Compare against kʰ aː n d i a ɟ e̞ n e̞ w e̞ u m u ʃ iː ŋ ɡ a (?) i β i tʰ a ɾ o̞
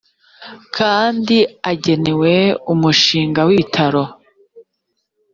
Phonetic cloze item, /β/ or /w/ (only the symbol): w